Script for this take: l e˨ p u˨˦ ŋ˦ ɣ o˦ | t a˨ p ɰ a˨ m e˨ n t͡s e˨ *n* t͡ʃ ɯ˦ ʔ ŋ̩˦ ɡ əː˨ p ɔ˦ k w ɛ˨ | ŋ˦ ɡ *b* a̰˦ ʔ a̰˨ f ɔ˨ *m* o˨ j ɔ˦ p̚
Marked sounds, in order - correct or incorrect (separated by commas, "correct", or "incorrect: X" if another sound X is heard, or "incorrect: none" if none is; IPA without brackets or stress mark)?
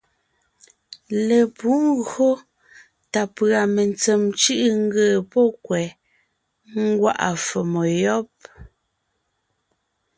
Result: incorrect: m, incorrect: w, correct